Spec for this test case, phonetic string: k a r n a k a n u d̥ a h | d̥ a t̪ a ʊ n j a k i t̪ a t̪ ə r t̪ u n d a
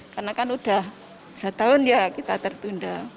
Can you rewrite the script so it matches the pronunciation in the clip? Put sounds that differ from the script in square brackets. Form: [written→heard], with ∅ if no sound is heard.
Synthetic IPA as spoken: k a r n a k a n u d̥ a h | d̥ a t̪ a ʊ n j a k i t̪ a t̪ ə r t̪ u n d a